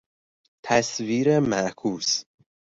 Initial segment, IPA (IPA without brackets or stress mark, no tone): t̪ʰ